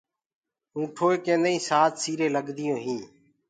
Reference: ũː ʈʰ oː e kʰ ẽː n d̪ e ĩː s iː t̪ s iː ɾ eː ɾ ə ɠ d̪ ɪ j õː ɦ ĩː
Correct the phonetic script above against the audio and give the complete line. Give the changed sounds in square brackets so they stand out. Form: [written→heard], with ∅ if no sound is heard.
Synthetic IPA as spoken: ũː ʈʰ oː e [kʰ→k] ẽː n d̪ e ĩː s [iː→aː] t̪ s iː ɾ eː [ɾ→l] ə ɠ d̪ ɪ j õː ɦ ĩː